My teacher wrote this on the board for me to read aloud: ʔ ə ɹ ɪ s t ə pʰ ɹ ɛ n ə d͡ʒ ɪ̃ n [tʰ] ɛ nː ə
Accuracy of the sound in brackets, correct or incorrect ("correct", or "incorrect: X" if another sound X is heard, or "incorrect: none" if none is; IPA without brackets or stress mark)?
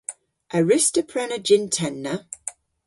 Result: correct